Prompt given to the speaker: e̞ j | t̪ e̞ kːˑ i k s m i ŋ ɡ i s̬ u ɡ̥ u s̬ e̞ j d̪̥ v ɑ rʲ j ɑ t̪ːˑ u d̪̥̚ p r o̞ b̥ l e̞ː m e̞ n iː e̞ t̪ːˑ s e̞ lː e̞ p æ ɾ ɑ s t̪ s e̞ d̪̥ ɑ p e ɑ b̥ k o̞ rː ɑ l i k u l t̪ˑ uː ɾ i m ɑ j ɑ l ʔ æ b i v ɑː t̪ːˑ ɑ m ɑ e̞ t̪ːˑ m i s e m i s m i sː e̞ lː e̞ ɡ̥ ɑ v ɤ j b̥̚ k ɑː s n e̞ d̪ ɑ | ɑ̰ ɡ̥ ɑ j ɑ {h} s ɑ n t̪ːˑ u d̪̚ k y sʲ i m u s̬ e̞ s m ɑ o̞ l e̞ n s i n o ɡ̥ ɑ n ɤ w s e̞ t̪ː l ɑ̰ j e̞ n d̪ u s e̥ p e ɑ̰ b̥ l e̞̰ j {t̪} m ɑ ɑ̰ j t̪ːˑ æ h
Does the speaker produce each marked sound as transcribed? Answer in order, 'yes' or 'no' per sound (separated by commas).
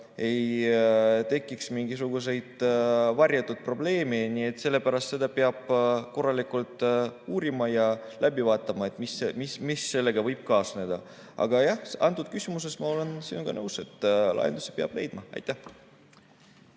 yes, no